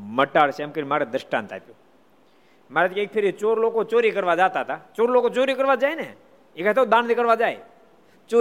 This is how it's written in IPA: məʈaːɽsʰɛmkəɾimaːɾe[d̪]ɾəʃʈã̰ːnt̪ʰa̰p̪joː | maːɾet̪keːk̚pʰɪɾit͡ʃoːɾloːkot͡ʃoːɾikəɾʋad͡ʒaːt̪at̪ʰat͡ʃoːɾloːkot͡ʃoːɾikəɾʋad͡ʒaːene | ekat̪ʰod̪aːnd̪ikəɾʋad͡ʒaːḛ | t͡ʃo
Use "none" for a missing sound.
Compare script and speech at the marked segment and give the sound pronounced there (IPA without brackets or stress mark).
d̪